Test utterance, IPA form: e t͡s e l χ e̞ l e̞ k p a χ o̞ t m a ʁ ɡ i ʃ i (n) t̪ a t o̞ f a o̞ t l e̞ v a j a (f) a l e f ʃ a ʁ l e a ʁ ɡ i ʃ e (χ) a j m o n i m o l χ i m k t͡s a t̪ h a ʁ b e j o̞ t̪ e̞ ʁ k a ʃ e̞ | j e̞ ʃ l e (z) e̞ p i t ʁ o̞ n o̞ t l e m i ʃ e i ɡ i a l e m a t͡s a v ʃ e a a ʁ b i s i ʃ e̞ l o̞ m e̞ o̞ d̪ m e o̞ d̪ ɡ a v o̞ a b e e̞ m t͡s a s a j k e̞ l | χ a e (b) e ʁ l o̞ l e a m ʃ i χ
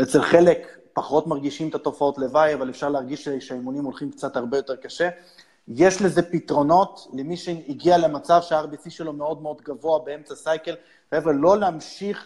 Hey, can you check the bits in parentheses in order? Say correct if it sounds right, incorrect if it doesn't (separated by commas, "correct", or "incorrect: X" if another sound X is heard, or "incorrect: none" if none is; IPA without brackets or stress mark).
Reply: incorrect: m, incorrect: v, incorrect: ʃ, correct, incorrect: v